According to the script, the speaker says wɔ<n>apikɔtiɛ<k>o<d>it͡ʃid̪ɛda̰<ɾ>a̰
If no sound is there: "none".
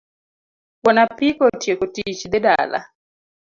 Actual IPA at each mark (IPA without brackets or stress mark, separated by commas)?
n, k, t, l